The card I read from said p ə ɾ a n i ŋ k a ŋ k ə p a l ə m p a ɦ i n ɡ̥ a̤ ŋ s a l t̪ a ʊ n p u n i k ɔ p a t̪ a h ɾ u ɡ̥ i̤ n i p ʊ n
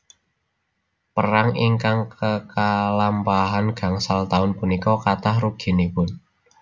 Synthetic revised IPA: p ə ɾ a ŋ i ŋ k a ŋ k ə k a l a m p a ɦ a n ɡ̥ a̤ ŋ s a l t̪ a ʊ n p u n i k ɔ k a t̪ a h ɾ u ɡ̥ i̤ n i p ʊ n